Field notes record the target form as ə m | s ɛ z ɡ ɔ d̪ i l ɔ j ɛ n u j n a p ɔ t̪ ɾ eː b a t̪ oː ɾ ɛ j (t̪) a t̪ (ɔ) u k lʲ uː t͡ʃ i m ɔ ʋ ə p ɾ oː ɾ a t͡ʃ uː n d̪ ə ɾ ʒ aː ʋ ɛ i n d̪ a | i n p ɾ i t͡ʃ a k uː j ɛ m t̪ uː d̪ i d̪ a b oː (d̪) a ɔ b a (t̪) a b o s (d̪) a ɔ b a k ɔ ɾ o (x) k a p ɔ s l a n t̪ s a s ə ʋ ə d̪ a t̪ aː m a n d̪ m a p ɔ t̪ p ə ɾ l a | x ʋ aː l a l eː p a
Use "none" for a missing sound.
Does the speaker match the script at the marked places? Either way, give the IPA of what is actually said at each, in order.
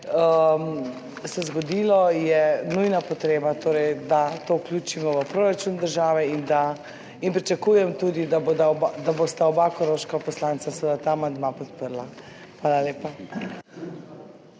d̪, o, d̪, d̪, t̪, ʃ

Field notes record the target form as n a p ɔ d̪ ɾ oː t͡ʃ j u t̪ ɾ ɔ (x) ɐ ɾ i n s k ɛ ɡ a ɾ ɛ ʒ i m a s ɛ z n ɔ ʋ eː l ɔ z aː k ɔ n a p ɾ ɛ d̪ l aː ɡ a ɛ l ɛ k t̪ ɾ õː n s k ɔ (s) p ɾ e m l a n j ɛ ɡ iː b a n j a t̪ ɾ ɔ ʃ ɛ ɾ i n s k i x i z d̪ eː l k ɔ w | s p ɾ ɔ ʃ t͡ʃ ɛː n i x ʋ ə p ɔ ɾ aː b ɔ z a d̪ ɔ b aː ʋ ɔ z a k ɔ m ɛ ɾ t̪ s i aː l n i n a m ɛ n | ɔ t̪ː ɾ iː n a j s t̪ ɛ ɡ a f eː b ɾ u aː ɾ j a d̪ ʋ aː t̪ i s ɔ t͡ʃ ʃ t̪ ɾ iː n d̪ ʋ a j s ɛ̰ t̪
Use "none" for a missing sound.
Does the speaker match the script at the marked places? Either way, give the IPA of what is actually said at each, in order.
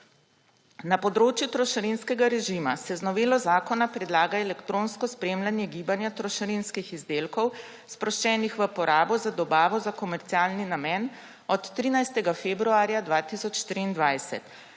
ʃ, s

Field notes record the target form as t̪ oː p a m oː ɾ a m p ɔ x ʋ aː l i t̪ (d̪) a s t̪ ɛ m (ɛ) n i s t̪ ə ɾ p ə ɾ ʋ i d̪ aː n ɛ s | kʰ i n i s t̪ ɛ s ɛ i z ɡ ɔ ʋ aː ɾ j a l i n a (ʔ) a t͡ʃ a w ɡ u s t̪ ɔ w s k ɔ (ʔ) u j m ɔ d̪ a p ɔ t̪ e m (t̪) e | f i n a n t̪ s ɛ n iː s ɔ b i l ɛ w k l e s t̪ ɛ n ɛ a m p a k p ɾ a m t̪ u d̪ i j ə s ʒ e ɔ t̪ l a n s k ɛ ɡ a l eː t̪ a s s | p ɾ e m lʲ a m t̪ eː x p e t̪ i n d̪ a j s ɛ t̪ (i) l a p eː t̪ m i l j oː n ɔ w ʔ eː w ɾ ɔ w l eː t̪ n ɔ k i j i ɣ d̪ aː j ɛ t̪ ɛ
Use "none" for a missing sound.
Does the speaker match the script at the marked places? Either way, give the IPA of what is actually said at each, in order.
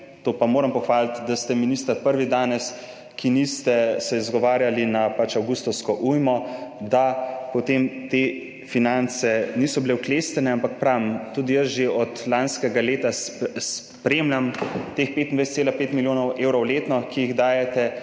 d̪, i, p, ʔ, t̪, e

